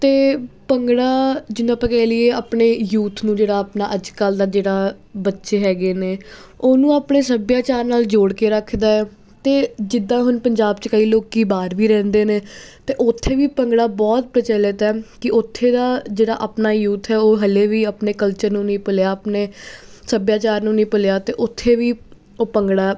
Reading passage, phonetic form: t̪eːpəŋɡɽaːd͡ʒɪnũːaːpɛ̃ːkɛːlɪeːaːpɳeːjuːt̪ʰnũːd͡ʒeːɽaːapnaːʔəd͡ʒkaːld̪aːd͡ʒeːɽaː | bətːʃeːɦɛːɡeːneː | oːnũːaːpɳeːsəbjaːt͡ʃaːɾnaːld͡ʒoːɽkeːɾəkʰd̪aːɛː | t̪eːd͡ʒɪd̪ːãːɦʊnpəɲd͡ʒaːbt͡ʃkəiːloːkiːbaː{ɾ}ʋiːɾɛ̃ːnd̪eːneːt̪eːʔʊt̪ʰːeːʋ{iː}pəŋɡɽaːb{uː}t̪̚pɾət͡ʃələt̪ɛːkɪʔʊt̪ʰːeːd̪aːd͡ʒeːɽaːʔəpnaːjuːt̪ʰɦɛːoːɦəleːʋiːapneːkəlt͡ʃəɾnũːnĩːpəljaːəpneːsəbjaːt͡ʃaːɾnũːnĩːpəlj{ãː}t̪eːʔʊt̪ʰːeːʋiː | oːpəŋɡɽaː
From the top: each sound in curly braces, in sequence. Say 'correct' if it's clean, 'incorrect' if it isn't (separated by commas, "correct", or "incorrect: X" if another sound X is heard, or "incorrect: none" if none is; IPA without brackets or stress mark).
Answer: correct, correct, incorrect: ɔː, incorrect: aː